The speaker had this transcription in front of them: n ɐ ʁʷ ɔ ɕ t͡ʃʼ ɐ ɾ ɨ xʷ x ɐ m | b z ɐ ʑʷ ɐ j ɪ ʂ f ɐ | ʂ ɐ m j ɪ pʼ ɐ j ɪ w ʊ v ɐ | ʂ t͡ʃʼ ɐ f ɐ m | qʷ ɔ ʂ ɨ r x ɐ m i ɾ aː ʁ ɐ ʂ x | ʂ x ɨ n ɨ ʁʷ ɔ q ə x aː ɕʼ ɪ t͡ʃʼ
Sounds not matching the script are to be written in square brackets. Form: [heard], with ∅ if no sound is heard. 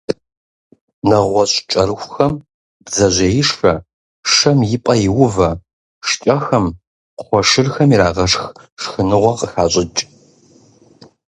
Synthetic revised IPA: n ɐ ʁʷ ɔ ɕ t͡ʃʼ ɐ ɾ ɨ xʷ x ɐ m | b z ɐ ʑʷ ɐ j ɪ ʂ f ɐ | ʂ ɐ m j ɪ pʼ ɐ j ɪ w ʊ v ɐ | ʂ t͡ʃʼ ɐ [x] ɐ m | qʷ ɔ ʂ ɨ r x ɐ m i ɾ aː ʁ ɐ ʂ x | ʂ x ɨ n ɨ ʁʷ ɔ q ə x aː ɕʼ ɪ t͡ʃʼ